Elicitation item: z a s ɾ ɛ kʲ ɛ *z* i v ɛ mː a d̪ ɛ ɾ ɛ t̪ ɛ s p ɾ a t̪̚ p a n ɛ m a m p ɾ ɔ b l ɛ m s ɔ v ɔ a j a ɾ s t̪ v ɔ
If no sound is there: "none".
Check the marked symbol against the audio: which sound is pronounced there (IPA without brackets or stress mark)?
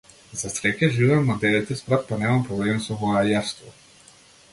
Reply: ʒ